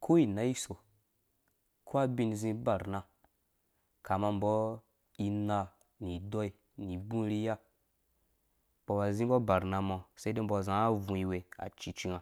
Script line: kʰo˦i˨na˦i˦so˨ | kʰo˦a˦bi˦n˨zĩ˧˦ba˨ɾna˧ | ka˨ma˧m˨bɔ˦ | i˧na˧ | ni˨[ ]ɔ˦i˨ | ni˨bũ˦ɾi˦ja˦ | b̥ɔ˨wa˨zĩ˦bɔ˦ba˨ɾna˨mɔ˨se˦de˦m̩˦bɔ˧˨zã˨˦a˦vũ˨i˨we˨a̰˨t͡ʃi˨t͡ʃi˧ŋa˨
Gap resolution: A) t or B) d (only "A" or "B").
B